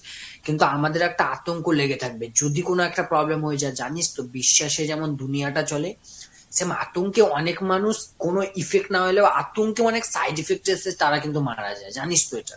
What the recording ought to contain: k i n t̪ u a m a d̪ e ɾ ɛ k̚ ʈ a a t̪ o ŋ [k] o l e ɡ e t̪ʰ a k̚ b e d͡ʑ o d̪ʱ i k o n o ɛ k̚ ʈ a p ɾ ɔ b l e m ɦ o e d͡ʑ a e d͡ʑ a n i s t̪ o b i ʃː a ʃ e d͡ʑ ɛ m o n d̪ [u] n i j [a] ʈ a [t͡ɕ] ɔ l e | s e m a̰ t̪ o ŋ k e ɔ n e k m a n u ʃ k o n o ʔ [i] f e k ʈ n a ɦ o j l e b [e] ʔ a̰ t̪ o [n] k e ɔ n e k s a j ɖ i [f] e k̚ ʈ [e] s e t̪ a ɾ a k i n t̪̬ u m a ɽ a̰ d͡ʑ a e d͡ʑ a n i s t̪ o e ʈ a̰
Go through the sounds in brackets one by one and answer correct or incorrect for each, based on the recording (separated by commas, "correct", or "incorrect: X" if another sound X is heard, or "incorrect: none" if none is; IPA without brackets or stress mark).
correct, correct, correct, correct, correct, incorrect: a, incorrect: ŋ, correct, correct